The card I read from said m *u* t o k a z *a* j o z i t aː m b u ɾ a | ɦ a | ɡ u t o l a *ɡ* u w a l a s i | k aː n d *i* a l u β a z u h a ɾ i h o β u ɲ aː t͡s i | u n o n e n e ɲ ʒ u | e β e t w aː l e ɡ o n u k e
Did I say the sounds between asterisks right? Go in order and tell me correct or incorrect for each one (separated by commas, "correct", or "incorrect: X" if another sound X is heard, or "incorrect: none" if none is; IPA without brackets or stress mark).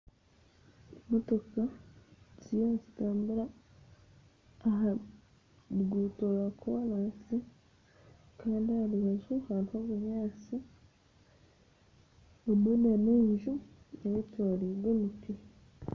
incorrect: o, incorrect: i, incorrect: k, correct